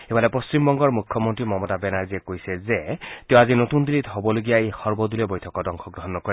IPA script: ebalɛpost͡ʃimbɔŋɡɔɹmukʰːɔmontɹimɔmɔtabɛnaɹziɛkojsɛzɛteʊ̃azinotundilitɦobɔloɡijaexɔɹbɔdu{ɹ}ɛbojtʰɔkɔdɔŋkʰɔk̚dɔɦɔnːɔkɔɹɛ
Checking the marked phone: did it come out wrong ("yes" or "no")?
yes